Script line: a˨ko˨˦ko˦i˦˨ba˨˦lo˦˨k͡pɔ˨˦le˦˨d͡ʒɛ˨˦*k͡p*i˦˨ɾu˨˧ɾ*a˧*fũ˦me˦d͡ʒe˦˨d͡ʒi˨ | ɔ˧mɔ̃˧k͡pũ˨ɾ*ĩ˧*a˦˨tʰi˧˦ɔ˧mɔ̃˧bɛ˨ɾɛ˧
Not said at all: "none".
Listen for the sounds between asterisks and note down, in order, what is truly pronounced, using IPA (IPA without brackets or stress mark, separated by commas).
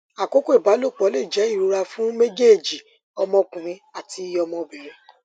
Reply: none, a˧, ĩ˧